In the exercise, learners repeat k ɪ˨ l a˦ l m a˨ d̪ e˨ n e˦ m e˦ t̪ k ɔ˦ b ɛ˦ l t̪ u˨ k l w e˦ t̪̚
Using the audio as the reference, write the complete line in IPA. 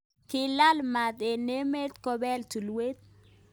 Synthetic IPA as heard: k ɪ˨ l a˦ l m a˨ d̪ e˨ n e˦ m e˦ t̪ k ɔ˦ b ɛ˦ l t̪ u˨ l w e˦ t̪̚